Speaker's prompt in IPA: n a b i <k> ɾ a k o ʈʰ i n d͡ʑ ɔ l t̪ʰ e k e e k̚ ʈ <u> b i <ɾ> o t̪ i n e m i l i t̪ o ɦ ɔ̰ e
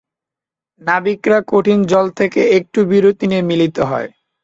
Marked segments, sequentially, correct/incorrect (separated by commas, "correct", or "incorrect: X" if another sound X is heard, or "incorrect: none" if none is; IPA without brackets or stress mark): correct, correct, correct